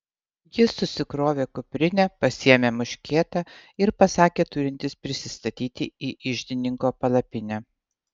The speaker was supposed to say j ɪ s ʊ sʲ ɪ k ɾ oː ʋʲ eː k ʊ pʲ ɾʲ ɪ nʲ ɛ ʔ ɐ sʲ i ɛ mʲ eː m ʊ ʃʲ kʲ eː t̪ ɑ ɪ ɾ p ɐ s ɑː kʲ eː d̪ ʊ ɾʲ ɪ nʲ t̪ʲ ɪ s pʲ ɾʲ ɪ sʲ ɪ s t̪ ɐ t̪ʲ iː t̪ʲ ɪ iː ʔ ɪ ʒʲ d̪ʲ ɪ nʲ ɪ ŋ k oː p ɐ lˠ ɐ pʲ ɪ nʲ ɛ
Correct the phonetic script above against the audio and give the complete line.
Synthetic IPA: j ɪ s ʊ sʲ ɪ k ɾ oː ʋʲ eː k ʊ pʲ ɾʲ ɪ nʲ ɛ p ɐ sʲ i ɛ mʲ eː m ʊ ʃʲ kʲ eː t̪ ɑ ɪ ɾ p ɐ s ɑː kʲ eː t̪ ʊ ɾʲ ɪ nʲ t̪ʲ ɪ s pʲ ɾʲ ɪ sʲ ɪ s t̪ ɐ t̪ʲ iː t̪ʲ ɪ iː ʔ ɪ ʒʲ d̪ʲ ɪ nʲ ɪ ŋ k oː p ɐ lˠ ɐ pʲ ɪ nʲ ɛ